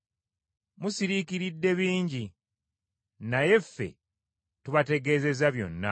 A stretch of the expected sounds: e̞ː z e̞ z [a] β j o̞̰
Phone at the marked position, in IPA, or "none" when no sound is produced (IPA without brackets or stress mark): a